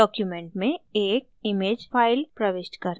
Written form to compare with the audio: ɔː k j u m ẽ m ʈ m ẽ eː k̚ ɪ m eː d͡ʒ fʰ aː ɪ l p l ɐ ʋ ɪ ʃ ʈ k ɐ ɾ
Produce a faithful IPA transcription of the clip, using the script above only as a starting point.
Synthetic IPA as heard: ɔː k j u m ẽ ɳ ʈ m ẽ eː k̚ ɪ m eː d͡ʒ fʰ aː ɪ l p ɾ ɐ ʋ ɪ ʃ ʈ k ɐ ɾ